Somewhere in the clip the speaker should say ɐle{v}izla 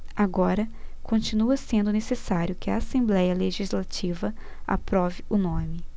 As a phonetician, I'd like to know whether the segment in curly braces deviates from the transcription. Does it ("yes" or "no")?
yes